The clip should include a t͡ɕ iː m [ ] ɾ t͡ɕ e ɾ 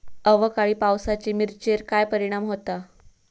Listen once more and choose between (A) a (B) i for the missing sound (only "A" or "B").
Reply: B